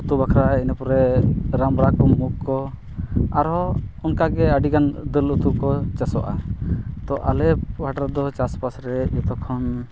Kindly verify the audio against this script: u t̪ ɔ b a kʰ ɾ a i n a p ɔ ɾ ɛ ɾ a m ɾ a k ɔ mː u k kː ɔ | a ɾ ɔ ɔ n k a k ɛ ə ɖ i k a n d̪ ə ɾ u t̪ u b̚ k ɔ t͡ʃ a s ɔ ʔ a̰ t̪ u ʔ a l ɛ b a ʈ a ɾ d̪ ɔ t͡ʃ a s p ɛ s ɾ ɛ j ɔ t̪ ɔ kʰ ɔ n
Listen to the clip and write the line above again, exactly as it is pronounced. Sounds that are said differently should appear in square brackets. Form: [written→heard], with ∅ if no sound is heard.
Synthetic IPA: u t̪ [ɔ→u] b a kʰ ɾ a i n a p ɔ ɾ ɛ ɾ a m ɾ a k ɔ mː u k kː ɔ | a ɾ ɔ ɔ n k a [k→ɡ] ɛ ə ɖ i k a n d̪ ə [ɾ→l] u t̪ u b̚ k ɔ t͡ʃ a s ɔ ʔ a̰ t̪ [u→ɔ] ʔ a l ɛ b a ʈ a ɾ d̪ ɔ t͡ʃ a s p [ɛ→a] s ɾ ɛ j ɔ t̪ ɔ kʰ ɔ n